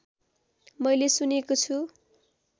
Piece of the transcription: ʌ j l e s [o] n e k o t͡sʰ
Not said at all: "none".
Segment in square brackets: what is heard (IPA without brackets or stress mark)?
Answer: u